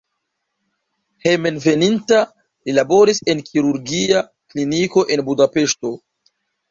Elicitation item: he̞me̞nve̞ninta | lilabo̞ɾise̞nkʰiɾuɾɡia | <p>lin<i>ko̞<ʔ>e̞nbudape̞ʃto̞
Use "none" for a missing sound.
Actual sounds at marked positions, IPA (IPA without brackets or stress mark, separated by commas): k, i, ʔ